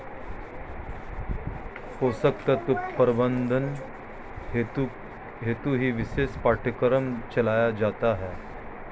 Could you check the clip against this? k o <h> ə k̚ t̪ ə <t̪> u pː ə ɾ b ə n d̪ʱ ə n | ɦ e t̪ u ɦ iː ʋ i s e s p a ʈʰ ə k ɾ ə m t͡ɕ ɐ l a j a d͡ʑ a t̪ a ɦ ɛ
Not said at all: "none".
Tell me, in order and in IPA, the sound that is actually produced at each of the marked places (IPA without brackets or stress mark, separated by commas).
s, t̪